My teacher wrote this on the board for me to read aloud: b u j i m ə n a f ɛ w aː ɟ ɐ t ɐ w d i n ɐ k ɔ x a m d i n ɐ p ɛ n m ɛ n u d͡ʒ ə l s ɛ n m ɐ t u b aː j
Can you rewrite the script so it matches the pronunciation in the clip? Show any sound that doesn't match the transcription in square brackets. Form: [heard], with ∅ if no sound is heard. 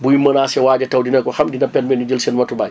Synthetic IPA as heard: b u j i m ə n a [s] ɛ w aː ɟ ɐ t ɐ w d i n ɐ k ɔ x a m d i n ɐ p ɛ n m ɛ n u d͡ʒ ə l s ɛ n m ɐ t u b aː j